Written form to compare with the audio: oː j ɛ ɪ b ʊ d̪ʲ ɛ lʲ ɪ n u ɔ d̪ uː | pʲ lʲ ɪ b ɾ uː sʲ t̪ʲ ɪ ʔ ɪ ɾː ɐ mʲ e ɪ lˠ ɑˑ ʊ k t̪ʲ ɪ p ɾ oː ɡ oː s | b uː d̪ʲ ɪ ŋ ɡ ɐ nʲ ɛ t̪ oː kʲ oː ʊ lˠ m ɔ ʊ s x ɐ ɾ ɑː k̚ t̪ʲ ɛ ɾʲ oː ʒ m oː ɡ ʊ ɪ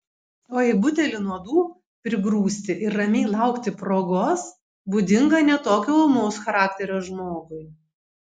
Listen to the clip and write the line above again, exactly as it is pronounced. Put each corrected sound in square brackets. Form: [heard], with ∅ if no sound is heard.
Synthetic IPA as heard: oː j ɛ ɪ b ʊ [t̪ʲ] ɛ lʲ ɪ n u ɔ d̪ uː | pʲ [ɾʲ] ɪ b ɾ uː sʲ t̪ʲ ɪ ʔ ɪ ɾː ɐ mʲ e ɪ lˠ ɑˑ ʊ k t̪ʲ ɪ p ɾ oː ɡ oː s | b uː d̪ʲ ɪ ŋ ɡ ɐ nʲ ɛ t̪ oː kʲ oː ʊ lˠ m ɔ ʊ s x ɐ ɾ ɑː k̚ t̪ʲ ɛ ɾʲ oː ʒ m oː ɡ ʊ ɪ